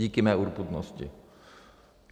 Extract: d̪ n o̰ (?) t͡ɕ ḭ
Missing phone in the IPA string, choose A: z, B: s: B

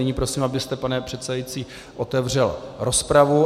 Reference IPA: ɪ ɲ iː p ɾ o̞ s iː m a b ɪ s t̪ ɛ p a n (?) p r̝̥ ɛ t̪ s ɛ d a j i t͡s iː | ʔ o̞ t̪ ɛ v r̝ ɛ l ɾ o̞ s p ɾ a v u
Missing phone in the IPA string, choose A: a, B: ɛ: B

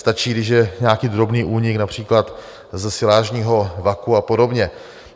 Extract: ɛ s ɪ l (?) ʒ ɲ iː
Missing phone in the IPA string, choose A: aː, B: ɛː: A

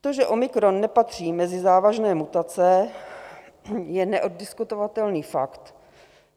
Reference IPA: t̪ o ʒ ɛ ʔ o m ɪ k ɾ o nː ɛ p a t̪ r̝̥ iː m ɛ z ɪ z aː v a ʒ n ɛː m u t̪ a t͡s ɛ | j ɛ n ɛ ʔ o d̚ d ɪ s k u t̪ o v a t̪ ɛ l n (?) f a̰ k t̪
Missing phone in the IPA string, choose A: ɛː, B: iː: B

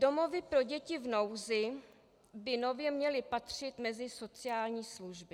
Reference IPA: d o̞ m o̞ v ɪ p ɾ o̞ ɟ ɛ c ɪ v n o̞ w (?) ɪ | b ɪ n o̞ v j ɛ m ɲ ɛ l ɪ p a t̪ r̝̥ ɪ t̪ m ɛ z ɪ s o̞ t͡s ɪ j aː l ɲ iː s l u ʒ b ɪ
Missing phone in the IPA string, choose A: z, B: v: A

